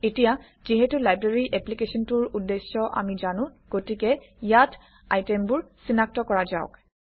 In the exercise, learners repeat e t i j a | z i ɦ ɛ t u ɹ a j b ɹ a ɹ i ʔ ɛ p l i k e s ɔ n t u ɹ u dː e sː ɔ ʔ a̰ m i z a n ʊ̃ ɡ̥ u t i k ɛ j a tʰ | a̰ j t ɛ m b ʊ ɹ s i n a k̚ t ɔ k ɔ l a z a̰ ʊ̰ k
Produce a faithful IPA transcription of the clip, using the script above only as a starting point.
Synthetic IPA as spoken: e t i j a | z i ɦ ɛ t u l a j b ɹ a ɹ i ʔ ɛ p l i k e s ɔ n t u ɹ u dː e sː ɔ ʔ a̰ m i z a n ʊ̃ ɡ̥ o t i k ɛ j a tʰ | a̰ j t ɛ m b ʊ ɹ s i n a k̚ t ɔ k ɔ ɹ a z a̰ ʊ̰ k